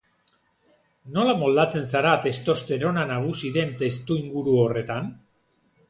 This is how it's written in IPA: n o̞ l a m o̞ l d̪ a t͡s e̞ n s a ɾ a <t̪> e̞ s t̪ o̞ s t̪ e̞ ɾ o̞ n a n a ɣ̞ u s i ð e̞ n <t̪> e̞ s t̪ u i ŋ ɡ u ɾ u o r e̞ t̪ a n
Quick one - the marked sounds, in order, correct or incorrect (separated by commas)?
correct, correct